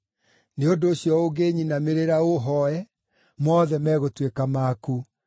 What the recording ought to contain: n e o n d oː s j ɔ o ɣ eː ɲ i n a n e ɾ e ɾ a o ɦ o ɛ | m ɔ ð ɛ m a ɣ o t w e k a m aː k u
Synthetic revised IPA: n e o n d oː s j ɔ o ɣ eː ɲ i n a m e ɾ e ɾ a o ɦ ɔ ɛ | m ɔ ð ɛ m ɛ ɣ o t w e k a m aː k u